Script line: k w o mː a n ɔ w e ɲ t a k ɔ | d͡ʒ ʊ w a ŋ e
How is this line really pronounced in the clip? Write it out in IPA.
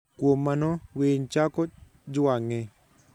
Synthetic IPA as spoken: k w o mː a n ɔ w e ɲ t͡ʃ a k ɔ | d͡ʒ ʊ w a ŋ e